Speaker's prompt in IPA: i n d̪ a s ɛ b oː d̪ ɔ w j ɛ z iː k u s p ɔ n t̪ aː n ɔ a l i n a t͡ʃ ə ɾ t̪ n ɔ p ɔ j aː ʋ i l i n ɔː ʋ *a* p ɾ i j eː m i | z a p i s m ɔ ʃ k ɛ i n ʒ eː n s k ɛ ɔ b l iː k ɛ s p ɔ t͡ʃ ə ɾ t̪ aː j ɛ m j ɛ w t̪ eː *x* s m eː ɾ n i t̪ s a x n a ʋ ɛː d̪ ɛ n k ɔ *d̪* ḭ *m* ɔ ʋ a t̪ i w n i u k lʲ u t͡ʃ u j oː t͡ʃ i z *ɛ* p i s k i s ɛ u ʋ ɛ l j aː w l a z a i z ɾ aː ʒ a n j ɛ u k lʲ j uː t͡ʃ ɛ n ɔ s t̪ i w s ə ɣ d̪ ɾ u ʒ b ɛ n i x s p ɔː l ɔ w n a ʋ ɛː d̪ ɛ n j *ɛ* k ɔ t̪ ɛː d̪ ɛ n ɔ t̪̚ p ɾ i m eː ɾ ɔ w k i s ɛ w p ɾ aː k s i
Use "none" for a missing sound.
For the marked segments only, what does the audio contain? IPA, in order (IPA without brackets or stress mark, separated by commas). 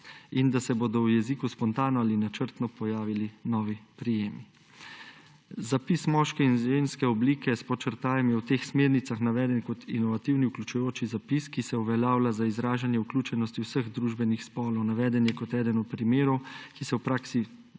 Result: i, x, t̪, n, a, ɛ